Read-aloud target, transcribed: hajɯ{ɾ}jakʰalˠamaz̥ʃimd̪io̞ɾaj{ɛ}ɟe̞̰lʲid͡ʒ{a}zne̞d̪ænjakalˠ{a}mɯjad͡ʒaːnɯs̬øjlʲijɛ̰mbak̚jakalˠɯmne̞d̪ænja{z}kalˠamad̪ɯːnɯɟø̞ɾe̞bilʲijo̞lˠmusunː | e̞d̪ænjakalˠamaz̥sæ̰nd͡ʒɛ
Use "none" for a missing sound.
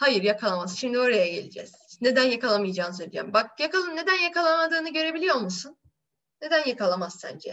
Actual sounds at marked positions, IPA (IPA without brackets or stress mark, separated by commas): ɾ, a, ɛ, a, none